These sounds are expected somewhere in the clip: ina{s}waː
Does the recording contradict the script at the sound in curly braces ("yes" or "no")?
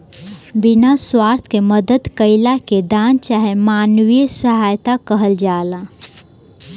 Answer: no